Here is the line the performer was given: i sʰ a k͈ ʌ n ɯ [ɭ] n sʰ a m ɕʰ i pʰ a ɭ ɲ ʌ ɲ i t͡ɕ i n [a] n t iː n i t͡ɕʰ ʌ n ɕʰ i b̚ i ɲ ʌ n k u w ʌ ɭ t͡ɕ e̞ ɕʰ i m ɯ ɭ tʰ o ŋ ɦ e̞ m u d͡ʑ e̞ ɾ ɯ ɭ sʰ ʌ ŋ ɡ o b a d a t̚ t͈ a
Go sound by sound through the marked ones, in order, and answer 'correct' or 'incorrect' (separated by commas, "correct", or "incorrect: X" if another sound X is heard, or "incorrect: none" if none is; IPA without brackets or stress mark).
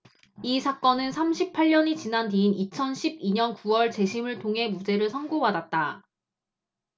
incorrect: none, correct